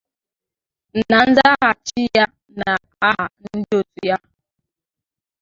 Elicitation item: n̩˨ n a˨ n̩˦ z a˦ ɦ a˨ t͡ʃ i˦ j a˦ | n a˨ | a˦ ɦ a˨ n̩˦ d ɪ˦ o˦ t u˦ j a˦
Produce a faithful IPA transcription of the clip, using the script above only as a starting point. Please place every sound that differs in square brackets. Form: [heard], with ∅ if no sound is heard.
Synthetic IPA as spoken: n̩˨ n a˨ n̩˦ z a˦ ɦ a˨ t͡ʃ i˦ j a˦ | n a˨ | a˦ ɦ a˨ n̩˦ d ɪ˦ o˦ t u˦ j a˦